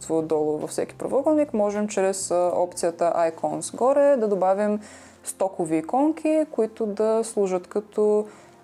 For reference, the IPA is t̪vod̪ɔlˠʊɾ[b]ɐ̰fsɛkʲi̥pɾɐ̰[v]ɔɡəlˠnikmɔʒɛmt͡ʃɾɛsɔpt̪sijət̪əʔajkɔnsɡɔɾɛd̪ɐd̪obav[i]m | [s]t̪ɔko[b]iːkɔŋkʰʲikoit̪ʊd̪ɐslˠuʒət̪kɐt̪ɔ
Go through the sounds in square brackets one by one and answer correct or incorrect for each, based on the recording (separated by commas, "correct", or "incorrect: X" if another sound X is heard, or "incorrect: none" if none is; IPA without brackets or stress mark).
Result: incorrect: v, correct, correct, correct, incorrect: v